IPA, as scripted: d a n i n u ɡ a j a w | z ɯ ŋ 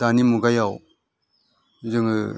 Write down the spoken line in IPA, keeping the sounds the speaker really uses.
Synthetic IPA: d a n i m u ɡ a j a w | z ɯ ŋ

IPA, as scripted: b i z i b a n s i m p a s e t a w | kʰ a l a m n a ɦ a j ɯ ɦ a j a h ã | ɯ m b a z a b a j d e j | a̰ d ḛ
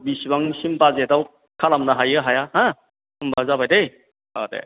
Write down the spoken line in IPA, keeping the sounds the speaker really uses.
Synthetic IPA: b i s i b a ŋ s i m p a z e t a w | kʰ a l a m n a ɦ a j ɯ ɦ a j a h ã | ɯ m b a z a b a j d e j | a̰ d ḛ

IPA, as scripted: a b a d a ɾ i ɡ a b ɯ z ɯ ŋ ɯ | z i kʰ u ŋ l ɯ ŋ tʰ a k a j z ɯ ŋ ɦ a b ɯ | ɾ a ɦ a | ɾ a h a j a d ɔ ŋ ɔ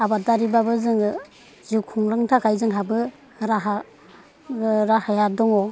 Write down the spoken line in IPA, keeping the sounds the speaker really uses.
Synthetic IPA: a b a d a ɾ i b a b ɯ z ɯ ŋ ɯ | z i kʰ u ŋ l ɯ ŋ tʰ a k a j z ɯ ŋ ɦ a b ɯ | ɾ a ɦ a | ɾ a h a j a d ɔ ŋ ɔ

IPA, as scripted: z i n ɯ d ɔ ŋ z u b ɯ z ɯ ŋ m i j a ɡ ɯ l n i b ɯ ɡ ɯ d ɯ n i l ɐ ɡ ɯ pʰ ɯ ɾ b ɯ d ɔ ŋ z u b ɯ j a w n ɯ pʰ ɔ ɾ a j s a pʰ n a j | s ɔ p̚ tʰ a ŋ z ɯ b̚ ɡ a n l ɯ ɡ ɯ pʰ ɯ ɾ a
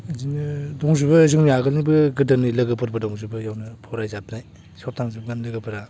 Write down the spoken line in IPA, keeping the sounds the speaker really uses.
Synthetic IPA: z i n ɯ d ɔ ŋ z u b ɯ z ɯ ŋ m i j a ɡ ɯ l n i b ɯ ɡ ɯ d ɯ n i l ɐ ɡ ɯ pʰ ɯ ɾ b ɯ d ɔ ŋ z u b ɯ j a w n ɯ pʰ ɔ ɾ a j z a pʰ n a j | s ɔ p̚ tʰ a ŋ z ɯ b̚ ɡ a n l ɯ ɡ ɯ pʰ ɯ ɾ a

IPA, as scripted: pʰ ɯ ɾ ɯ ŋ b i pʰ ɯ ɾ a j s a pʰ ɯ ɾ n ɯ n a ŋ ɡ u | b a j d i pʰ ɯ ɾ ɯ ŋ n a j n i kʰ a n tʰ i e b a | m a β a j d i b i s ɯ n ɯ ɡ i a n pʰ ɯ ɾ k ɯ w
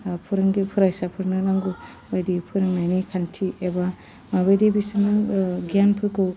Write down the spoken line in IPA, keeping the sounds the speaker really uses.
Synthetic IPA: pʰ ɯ ɾ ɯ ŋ ɡ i pʰ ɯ ɾ a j s a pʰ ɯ ɾ n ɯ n a ŋ ɡ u | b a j d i pʰ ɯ ɾ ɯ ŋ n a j n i kʰ a n tʰ i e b a | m a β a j d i b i s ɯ n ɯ ɡ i a n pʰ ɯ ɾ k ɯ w

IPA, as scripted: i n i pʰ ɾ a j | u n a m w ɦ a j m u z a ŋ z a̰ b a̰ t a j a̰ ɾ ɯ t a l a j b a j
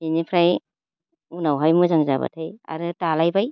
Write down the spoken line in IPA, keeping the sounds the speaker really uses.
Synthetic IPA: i n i pʰ ɾ a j | u n a w ɦ a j m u z a ŋ z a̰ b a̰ tʰ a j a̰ ɾ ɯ t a l a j b a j

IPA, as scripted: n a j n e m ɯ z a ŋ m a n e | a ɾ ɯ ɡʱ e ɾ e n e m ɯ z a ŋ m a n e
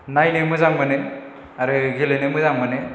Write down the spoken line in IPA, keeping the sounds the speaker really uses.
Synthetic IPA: n a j n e m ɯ z a ŋ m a n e | a ɾ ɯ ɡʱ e l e n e m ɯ z a ŋ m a n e

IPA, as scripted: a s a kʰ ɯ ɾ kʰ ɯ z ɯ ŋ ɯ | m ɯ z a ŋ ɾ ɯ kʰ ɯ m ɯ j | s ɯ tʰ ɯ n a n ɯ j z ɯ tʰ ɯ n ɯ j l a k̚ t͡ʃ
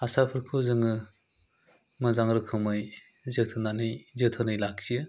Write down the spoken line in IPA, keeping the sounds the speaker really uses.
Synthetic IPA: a s a pʰ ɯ ɾ kʰ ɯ z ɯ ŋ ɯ | m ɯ z a ŋ ɾ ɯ kʰ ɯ m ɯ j | z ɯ tʰ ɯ n a n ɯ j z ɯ tʰ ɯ n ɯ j l a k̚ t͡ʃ

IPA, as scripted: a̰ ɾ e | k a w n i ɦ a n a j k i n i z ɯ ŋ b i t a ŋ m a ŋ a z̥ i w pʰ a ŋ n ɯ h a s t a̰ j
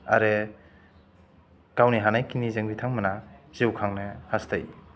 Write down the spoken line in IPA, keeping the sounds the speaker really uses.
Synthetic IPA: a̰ ɾ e | k a w n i ɦ a n a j k i n i z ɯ ŋ b i tʰ a ŋ m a n a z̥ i w kʰ a ŋ n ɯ h a s t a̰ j

